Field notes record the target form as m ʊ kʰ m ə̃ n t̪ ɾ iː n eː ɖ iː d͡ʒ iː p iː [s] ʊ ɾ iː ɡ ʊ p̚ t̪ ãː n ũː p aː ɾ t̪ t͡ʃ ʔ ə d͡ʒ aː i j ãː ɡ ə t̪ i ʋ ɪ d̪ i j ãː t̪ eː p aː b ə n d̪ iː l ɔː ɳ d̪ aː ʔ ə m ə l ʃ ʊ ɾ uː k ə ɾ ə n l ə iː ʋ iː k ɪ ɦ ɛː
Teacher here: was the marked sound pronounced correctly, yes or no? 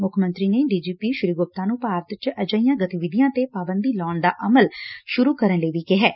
no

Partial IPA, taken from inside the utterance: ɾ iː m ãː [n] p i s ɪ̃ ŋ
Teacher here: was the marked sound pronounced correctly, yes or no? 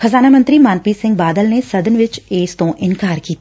yes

